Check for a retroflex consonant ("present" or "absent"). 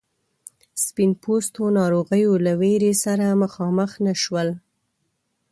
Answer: absent